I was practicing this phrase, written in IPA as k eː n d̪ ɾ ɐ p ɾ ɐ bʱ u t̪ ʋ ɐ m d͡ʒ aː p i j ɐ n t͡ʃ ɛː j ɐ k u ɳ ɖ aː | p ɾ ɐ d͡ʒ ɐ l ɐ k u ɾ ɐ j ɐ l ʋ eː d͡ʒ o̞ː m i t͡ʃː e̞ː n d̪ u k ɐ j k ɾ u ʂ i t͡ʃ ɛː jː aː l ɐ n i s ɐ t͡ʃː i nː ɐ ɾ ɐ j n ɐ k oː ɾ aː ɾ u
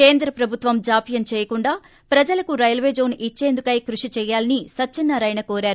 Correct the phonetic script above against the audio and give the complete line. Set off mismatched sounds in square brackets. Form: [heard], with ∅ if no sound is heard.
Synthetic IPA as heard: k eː n d̪ ɾ ɐ p ɾ ɐ bʱ u t̪ ʋ ɐ m d͡ʒ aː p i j ɐ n t͡ʃ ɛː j ɐ k u ɳ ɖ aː | p ɾ ɐ d͡ʒ ɐ l ɐ k u ɾ ɐ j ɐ l ʋ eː d͡ʒ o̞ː [n] i t͡ʃː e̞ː n d̪ u k ɐ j k ɾ u ʂ i t͡ʃ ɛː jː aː l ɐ n i s ɐ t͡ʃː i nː ɐ ɾ ɐ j n ɐ k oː ɾ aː ɾ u